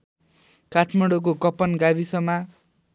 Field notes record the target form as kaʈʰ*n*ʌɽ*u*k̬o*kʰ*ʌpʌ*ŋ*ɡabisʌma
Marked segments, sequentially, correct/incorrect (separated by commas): incorrect, incorrect, incorrect, incorrect